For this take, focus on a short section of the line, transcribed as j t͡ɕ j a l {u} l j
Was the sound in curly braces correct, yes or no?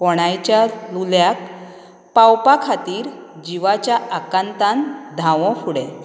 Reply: yes